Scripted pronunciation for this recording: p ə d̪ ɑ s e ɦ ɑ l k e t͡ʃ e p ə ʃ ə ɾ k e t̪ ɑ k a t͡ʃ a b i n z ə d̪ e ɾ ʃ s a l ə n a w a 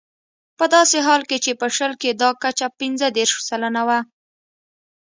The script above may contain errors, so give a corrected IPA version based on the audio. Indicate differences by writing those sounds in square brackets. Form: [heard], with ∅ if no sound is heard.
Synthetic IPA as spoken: p ə d̪ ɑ s e ɦ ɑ l k e t͡ʃ e p ə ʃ ə [l] k e [d̪] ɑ k a t͡ʃ a [p] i n z ə d̪ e ɾ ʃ s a l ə n a w a

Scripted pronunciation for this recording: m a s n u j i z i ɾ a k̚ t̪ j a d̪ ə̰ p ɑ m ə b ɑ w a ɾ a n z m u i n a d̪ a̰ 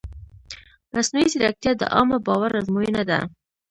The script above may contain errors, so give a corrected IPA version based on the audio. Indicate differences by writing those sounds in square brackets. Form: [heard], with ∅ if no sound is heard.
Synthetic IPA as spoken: m a s n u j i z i ɾ a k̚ t̪ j a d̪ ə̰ [ʔ] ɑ m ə b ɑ w a ɾ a [∅] z m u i n a d̪ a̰

